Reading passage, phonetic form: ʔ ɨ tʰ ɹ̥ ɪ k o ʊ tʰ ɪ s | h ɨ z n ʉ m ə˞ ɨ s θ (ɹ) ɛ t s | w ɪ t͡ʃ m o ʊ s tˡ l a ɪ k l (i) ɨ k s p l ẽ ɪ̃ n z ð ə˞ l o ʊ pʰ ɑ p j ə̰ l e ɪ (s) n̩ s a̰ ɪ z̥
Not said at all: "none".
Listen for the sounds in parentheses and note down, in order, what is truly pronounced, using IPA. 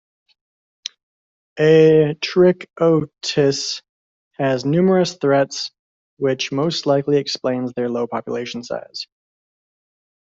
ɹ, i, ʃ

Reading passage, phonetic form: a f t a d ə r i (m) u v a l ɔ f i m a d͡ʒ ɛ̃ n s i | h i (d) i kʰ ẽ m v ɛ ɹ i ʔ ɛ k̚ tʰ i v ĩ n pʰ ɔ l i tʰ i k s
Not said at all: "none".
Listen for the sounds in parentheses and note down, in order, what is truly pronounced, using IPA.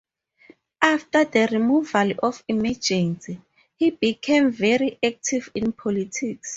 m, b

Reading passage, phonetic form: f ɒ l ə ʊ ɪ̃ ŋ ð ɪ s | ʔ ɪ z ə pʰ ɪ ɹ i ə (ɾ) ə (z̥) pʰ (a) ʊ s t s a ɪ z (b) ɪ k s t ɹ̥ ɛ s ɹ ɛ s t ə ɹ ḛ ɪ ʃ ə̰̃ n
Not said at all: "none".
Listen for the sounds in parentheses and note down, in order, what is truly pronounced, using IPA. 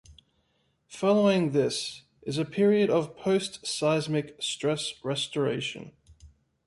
ɾ, v̥, ə, m

